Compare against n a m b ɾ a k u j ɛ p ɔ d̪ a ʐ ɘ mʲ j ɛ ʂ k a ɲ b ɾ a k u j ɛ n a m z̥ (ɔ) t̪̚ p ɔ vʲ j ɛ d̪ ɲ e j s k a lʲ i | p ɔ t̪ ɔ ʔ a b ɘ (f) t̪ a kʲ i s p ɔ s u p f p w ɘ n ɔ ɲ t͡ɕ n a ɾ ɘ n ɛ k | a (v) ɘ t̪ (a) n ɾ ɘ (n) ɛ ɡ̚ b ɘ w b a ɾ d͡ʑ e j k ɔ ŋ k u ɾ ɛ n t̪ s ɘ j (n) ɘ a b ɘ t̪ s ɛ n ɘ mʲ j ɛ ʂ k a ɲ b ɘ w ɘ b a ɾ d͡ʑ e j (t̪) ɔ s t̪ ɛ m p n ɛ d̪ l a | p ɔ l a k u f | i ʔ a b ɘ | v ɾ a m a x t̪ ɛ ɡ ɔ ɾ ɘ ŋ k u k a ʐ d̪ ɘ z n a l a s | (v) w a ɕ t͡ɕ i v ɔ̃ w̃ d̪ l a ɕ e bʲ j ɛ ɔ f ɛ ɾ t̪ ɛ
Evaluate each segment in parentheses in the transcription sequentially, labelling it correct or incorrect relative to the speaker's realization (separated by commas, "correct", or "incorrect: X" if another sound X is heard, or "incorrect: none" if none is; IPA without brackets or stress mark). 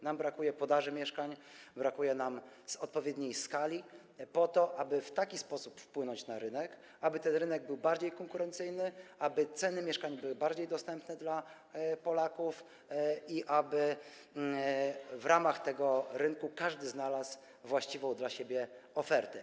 correct, correct, incorrect: b, incorrect: ɛ, correct, correct, incorrect: d̪, correct